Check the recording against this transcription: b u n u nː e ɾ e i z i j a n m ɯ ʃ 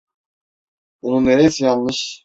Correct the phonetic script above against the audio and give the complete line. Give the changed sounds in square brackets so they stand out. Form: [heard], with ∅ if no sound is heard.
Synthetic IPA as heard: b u n u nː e ɾ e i [s] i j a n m ɯ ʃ